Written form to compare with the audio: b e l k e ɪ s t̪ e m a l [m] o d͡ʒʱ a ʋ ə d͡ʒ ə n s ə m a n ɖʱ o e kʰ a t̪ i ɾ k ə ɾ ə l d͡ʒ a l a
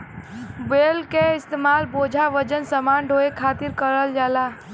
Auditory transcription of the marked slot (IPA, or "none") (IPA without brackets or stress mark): b